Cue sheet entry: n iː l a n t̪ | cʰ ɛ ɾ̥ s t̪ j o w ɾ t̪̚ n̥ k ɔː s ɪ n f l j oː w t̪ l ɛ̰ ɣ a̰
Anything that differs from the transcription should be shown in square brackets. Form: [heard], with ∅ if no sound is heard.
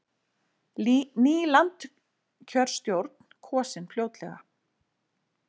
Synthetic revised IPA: n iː l a n t̪ | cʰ [œ] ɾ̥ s t̪ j o w ɾ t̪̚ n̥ [kʰ] ɔː s ɪ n f l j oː w t̪ l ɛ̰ ɣ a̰